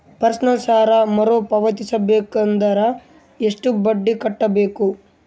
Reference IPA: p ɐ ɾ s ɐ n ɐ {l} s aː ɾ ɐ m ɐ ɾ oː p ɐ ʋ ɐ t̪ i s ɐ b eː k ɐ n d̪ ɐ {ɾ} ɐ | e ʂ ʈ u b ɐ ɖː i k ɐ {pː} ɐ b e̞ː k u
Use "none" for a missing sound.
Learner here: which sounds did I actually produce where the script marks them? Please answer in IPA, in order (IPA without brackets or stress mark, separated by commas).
l, ɾ, ʈː